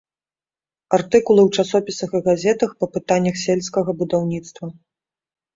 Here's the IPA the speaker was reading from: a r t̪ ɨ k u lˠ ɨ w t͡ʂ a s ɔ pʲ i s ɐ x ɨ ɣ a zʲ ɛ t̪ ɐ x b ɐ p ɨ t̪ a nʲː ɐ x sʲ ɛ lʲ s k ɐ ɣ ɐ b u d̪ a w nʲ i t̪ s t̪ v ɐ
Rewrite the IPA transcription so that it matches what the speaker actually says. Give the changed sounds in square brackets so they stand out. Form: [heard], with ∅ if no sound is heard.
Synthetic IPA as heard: a r t̪ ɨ k u lˠ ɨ w t͡ʂ a s ɔ pʲ i s ɐ x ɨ ɣ a zʲ ɛ t̪ ɐ x [p] ɐ p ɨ t̪ a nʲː ɐ x sʲ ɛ lʲ s k ɐ ɣ ɐ b u d̪ a w nʲ i t̪ s t̪ v ɐ